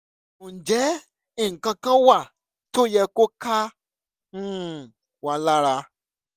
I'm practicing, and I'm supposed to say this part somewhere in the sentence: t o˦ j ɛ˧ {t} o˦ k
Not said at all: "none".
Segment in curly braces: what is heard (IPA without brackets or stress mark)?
k